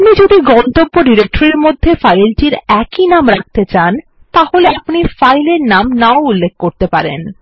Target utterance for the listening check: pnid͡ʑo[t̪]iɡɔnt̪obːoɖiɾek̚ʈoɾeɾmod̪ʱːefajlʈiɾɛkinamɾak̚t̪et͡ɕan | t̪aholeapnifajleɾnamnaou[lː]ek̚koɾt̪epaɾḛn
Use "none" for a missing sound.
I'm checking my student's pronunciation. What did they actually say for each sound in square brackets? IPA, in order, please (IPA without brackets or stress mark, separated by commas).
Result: d̪, lː